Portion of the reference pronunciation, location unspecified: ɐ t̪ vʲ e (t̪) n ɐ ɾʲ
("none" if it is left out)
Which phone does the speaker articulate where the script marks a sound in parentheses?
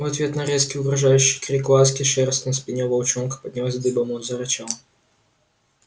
t̪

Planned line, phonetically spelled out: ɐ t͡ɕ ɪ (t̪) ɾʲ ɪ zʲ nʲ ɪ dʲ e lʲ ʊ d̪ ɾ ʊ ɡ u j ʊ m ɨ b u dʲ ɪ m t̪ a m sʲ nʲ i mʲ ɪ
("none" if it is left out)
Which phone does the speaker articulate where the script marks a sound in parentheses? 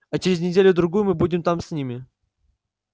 none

